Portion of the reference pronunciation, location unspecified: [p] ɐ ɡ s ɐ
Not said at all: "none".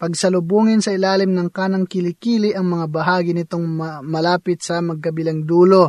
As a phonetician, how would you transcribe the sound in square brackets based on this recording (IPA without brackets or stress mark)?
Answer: p